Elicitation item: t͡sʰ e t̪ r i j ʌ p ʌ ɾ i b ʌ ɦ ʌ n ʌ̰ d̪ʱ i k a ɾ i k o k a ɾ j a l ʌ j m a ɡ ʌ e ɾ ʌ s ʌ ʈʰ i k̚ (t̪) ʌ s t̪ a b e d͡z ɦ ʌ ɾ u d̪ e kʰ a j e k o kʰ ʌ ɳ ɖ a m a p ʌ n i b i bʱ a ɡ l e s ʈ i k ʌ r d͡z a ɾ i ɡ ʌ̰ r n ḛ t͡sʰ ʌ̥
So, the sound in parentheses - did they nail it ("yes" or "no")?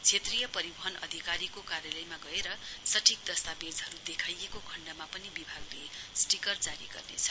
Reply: no